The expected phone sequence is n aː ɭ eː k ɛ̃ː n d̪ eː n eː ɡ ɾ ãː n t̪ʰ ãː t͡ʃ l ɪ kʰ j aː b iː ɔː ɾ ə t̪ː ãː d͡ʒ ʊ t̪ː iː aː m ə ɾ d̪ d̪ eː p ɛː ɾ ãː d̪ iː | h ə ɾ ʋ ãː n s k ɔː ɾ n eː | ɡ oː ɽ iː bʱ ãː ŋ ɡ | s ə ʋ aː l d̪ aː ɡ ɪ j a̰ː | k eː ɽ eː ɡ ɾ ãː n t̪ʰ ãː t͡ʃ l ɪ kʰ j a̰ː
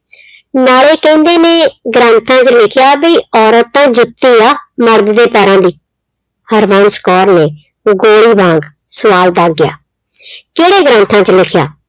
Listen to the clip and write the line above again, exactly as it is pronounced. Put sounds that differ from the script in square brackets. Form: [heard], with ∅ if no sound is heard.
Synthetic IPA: n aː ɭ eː k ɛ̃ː n d̪ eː n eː ɡ ɾ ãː n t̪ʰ ãː t͡ʃ l ɪ kʰ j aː b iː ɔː ɾ ə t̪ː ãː d͡ʒ ʊ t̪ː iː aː m ə ɾ d̪ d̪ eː p ɛː ɾ ãː d̪ iː | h ə ɾ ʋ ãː n s k ɔː ɾ n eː | ɡ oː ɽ iː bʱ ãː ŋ ɡ | s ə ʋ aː l d̪ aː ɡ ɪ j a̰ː | k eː ɽ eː ɡ ɾ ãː n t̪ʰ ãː t͡ʃ l ɪ kʰ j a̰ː